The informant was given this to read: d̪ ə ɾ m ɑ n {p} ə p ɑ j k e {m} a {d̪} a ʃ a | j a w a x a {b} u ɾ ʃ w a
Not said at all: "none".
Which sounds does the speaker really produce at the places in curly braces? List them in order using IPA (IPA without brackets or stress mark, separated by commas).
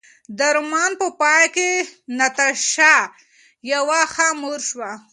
p, n, t̪, m